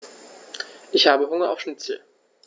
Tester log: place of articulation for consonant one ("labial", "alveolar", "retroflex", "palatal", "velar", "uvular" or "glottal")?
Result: glottal